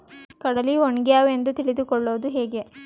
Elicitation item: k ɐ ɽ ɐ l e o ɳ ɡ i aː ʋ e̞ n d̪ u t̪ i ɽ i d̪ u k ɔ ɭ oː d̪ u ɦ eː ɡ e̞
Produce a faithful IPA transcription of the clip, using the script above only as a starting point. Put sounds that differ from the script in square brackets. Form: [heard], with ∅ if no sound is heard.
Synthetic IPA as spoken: k ɐ ɽ ɐ l [i] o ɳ ɡ [j] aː ʋ e̞ n d̪ u t̪ i [ɭ] i d̪ u k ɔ [ɭː] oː d̪ u ɦ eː ɡ e̞